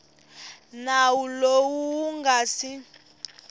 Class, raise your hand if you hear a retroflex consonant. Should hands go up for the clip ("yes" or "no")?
no